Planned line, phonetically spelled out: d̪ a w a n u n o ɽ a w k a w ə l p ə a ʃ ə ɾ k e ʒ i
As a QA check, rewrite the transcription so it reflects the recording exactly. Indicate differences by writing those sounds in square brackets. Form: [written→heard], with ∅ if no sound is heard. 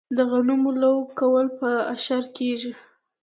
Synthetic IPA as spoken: d̪ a [w→ɣ] a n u [n→m] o [ɽ→l] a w k a w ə l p ə a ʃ [ə→a] ɾ k e ʒ i